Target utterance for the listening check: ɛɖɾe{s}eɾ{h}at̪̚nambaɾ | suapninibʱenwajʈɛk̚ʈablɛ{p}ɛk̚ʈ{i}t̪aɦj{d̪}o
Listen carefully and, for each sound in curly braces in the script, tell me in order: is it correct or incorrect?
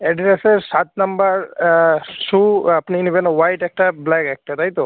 correct, incorrect: s, incorrect: k, incorrect: a, incorrect: t̪

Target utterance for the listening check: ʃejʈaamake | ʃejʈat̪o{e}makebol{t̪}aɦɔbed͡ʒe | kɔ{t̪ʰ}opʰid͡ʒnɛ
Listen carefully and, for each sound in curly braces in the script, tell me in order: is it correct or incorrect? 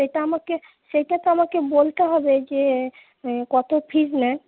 incorrect: a, correct, incorrect: t̪

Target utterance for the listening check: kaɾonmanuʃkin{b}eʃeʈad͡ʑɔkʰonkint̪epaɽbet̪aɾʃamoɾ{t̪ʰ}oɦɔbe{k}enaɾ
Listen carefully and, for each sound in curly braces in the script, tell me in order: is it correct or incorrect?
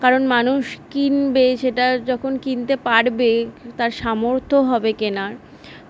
correct, correct, correct

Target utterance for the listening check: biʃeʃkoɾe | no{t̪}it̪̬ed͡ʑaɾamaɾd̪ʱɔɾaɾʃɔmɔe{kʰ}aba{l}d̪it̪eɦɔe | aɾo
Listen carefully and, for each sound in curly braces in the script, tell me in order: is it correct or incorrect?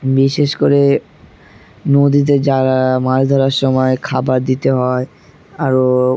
incorrect: d̪, correct, incorrect: ɾ

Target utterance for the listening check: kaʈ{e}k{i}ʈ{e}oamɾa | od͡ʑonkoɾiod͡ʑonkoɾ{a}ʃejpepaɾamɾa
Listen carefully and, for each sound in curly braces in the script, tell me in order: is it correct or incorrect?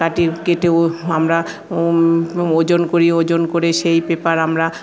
incorrect: i, incorrect: e, correct, incorrect: e

